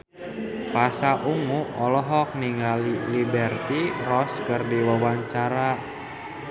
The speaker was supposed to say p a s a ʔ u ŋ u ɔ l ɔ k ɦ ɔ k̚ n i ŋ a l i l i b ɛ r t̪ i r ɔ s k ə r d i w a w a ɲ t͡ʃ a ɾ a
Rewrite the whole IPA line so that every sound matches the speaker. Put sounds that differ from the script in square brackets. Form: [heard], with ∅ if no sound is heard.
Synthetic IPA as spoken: p a s a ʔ u ŋ u ɔ l ɔ [∅] ɦ ɔ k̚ n i ŋ a l i l i b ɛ r t̪ i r ɔ s k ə r d i w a w a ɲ t͡ʃ a ɾ a

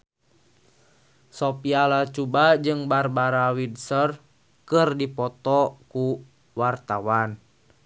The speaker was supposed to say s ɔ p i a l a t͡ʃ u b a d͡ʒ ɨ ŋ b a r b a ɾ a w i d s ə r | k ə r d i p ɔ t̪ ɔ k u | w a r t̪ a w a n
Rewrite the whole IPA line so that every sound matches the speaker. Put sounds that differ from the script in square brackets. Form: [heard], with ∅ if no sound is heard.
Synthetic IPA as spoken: s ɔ p i a l a t͡ʃ u b a d͡ʒ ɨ ŋ b a r b a ɾ a w i d s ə r | k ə r d i p ɔ t̪ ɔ k u | w a r t̪ a w a n

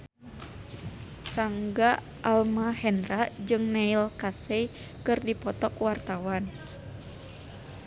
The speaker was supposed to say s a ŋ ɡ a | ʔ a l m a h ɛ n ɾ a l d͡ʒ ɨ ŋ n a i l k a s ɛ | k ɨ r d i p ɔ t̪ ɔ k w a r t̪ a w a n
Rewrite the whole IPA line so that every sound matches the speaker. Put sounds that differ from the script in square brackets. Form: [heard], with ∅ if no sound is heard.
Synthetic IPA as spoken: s a ŋ ɡ a | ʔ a l m a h ɛ n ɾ a [∅] d͡ʒ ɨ ŋ n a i l k a s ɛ | k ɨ r d i p ɔ t̪ ɔ k w a r t̪ a w a n

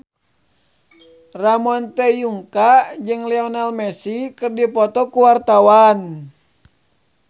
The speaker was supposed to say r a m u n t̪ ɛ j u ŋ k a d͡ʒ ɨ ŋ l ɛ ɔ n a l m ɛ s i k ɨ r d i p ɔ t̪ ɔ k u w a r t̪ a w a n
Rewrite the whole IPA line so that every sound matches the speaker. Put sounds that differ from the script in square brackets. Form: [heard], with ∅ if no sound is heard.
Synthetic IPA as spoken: r a m [ɔ] n t̪ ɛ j u ŋ k a d͡ʒ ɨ ŋ l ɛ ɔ n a l m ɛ s i k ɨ r d i p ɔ t̪ ɔ k u w a r t̪ a w a n

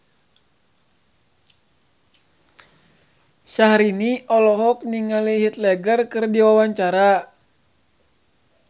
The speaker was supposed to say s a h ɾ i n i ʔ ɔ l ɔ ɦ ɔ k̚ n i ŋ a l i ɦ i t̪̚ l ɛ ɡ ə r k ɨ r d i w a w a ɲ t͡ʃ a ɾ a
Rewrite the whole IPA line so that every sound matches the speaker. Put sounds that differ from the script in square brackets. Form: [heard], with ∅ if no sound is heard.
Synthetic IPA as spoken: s a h ɾ i n i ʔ ɔ l ɔ ɦ ɔ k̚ n i ŋ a l i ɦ i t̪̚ l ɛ ɡ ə r k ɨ r d i w a w a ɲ t͡ʃ a ɾ a

